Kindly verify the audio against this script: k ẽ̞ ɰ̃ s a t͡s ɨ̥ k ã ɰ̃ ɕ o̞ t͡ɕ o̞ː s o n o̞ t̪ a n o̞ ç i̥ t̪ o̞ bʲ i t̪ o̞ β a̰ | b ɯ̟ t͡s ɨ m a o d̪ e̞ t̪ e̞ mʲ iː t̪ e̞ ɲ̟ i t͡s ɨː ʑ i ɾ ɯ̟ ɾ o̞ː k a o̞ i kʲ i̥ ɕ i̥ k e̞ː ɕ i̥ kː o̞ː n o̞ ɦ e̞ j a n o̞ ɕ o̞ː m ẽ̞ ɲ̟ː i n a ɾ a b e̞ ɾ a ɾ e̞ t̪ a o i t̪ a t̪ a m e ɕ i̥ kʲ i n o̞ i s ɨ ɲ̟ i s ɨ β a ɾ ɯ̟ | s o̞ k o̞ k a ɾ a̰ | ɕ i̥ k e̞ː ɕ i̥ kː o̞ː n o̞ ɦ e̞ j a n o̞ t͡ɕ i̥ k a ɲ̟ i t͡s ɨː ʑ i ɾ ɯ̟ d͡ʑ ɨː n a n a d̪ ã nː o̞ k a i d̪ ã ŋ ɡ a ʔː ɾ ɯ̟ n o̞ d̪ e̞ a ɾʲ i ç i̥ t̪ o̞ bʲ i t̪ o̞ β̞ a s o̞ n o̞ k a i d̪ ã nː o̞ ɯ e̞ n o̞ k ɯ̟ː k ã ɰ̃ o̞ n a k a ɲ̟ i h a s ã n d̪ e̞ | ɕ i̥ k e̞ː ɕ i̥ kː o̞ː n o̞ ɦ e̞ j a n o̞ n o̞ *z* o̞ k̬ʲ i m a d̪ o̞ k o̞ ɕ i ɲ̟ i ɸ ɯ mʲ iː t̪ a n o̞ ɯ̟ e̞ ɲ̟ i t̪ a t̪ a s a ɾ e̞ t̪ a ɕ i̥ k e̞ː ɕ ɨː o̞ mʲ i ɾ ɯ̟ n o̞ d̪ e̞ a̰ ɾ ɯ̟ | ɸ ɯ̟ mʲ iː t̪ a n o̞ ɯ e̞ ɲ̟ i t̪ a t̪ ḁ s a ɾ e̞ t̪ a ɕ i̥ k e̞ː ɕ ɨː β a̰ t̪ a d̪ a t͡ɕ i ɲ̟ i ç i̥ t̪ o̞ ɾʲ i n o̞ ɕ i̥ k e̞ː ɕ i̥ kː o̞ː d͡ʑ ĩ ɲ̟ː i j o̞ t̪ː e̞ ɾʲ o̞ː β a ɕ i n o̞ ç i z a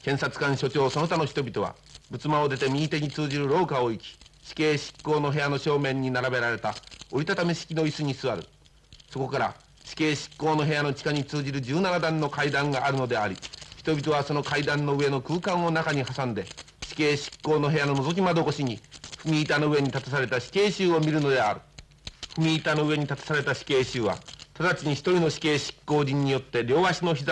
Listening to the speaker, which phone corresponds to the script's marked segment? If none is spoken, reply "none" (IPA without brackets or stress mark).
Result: z